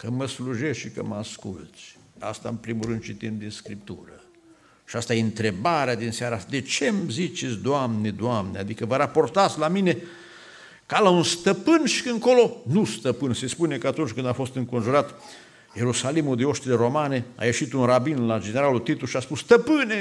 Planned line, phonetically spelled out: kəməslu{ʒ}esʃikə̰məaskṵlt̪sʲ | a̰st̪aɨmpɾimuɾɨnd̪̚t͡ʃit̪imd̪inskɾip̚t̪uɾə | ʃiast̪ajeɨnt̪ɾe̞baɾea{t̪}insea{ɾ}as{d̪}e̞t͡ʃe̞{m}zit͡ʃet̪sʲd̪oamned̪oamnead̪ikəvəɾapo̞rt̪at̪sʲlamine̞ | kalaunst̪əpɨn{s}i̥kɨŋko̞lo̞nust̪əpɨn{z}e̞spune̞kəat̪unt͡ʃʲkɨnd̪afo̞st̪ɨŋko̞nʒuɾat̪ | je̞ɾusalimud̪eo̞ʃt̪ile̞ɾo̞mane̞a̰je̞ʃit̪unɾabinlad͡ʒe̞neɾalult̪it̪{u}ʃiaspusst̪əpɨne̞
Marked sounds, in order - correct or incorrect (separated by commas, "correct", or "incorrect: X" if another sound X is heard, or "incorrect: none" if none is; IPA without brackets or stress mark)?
correct, incorrect: d̪, correct, correct, correct, incorrect: ʃ, incorrect: s, correct